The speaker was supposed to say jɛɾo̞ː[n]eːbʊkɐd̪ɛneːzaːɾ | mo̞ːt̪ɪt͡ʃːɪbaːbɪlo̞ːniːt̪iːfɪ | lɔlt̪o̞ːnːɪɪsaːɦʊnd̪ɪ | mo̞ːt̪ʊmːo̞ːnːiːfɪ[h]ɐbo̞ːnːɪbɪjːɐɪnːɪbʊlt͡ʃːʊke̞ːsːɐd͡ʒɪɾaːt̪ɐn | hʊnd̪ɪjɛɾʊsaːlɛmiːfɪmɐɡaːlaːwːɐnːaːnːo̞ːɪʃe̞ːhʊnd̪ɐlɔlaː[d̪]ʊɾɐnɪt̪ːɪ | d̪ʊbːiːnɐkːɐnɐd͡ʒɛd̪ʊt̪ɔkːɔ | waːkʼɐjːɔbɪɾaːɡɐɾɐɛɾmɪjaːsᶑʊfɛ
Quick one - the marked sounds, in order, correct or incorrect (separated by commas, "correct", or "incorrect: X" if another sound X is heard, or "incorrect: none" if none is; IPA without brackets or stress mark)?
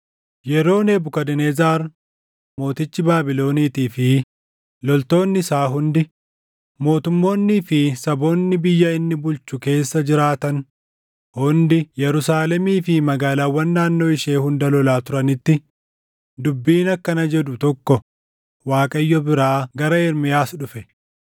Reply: correct, incorrect: s, incorrect: t̪